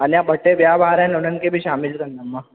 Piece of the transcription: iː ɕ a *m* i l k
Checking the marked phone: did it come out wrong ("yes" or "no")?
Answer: no